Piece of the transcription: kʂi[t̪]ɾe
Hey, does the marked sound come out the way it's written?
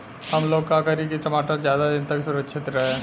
yes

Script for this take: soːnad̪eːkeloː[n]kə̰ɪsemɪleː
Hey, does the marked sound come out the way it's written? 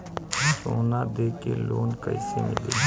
yes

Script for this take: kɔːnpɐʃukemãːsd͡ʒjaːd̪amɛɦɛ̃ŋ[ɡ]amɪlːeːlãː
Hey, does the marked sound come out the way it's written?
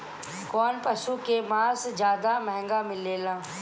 yes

